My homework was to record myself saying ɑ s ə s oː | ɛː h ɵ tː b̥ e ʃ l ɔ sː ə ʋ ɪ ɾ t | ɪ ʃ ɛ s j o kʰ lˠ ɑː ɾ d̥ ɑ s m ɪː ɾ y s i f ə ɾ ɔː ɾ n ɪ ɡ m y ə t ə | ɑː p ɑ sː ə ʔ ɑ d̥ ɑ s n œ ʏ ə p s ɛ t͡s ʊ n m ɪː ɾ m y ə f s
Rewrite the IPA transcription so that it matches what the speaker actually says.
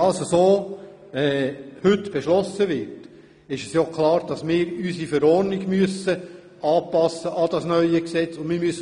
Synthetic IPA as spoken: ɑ s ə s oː | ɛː h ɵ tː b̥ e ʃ l ɔ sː ə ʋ ɪ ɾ t | ɪ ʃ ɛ s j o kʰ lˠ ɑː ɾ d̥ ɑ s m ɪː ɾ y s i f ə ɾ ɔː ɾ n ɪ ɡ m y ə s ə | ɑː p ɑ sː ə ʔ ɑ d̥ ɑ s n œ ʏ ə k s ɛ t͡s ʊ n m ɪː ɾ m y ə s